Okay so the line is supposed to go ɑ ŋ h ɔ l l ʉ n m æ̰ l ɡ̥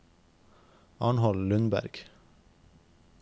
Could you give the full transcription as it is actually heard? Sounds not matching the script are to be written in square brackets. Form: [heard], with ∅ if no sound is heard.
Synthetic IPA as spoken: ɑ [ɳ] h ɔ l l ʉ n [b] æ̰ [ɾ] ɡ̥